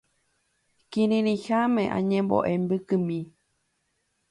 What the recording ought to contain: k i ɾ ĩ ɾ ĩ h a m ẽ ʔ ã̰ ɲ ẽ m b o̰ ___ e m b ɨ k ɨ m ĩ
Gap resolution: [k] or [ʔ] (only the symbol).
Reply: ʔ